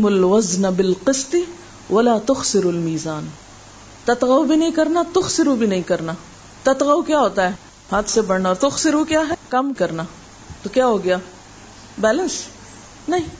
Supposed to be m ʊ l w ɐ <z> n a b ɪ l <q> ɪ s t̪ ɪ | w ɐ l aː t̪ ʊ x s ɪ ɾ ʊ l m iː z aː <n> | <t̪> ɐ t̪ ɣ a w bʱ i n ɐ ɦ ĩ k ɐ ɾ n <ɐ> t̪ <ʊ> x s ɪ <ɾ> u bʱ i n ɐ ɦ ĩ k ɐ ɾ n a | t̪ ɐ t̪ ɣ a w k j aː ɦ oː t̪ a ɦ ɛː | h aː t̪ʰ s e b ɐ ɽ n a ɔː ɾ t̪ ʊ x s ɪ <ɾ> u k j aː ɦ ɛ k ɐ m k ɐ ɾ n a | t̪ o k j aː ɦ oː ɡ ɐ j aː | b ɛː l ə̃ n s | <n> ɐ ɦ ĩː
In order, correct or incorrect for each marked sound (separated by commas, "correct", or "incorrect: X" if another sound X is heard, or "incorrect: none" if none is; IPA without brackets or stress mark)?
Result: correct, correct, correct, correct, incorrect: a, correct, correct, correct, correct